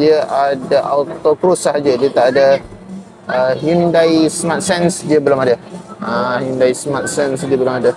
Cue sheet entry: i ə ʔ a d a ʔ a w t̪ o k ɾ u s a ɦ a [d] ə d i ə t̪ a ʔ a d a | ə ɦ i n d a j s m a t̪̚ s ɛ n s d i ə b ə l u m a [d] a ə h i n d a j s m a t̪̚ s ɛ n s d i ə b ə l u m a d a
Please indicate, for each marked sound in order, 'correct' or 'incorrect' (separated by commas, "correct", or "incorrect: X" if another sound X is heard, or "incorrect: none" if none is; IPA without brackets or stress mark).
incorrect: d͡ʒ, correct